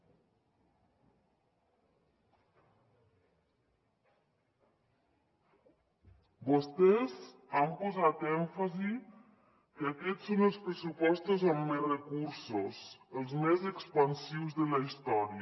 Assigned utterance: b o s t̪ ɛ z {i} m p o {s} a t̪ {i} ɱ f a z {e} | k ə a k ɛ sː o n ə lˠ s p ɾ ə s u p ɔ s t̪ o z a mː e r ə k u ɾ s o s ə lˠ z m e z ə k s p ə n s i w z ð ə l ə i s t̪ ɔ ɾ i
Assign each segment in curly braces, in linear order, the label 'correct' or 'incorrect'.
incorrect: a, incorrect: z, incorrect: ɛ, incorrect: i

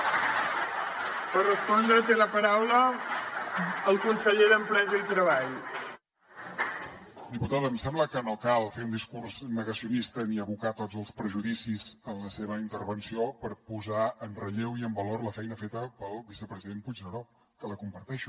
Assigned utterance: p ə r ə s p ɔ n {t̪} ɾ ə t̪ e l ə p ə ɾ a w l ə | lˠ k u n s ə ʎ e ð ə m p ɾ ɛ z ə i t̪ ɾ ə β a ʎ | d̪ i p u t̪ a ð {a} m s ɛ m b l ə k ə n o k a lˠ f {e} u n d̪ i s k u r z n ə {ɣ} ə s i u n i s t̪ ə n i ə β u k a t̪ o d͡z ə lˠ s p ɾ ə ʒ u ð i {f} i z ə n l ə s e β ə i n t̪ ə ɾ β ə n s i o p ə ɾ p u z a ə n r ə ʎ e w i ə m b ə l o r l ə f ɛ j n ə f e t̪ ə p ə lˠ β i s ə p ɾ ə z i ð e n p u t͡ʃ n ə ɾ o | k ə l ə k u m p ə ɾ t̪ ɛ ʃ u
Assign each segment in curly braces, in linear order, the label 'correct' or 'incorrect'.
incorrect: d̪, incorrect: ə, correct, correct, incorrect: s

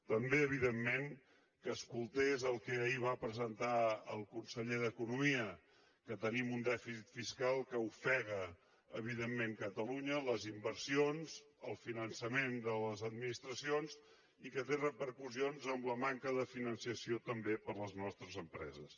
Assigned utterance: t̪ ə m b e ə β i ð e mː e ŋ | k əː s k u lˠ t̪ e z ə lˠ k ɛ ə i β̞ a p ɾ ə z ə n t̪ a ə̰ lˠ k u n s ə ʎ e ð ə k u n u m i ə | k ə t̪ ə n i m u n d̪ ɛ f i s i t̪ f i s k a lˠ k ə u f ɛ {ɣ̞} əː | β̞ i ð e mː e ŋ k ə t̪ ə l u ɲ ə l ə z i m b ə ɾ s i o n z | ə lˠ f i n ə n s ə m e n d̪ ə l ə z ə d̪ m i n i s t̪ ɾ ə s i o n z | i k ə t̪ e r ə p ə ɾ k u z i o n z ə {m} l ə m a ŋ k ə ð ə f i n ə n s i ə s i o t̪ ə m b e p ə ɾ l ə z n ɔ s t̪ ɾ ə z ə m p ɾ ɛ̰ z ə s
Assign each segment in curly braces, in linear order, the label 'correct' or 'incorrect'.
correct, correct

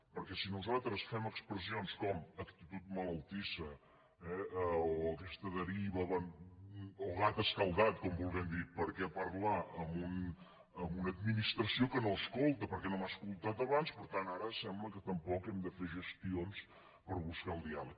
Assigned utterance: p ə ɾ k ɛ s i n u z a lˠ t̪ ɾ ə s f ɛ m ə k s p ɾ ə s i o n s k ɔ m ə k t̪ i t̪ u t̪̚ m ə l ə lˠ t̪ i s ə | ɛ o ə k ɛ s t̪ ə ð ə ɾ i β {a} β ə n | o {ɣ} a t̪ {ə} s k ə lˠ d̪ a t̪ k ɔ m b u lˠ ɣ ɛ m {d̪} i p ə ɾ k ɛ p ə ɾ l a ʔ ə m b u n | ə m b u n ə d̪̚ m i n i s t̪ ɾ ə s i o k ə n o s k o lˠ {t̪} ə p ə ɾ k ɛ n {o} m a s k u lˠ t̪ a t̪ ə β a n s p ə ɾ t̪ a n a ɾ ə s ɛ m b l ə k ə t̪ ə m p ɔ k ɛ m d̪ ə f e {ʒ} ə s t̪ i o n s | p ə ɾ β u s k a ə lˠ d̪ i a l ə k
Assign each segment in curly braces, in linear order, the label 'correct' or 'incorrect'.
incorrect: ə, correct, correct, correct, correct, correct, correct

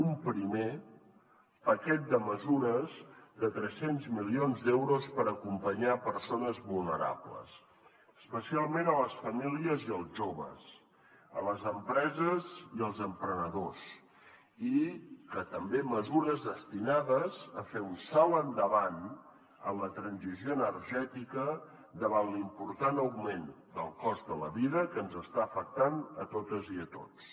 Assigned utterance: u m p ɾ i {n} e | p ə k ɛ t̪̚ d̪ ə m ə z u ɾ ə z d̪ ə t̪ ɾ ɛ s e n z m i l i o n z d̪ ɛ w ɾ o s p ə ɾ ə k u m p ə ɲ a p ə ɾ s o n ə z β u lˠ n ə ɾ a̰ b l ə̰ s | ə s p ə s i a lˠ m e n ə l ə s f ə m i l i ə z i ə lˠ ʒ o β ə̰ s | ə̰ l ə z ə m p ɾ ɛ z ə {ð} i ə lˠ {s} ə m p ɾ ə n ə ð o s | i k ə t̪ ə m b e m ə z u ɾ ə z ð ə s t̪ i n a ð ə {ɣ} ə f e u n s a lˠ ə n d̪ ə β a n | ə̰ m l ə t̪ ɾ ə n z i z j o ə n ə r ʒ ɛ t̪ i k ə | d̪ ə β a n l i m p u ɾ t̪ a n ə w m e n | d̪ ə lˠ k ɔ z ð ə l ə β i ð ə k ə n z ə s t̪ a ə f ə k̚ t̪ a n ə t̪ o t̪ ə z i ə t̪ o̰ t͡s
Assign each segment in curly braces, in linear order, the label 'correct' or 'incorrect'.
incorrect: m, incorrect: z, incorrect: z, incorrect: z

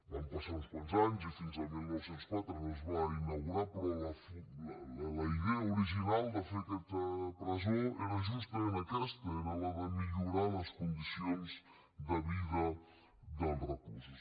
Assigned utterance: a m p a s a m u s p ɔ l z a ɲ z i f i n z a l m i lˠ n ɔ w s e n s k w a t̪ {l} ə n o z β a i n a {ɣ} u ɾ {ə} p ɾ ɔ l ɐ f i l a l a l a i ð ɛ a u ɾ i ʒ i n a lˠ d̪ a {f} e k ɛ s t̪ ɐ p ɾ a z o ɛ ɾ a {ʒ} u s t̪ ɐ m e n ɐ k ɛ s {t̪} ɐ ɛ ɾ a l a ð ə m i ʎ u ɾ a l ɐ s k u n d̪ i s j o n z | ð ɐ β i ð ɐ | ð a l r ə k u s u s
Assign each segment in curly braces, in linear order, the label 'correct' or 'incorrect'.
incorrect: ɾ, correct, incorrect: a, correct, correct, correct

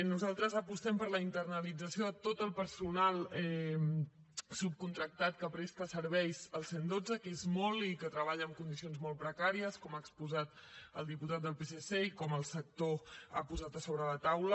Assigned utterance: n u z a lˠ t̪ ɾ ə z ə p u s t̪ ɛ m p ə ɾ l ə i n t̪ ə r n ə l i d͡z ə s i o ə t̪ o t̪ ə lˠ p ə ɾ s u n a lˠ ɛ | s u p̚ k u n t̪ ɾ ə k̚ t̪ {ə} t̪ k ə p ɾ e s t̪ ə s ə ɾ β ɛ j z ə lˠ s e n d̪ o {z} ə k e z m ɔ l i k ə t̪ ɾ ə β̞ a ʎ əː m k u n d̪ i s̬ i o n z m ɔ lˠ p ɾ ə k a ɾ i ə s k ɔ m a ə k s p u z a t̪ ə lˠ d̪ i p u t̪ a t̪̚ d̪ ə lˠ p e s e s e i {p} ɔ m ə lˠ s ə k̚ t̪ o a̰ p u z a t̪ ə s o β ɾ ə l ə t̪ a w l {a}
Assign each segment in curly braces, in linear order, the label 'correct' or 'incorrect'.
incorrect: a, incorrect: d͡z, incorrect: k, incorrect: ə

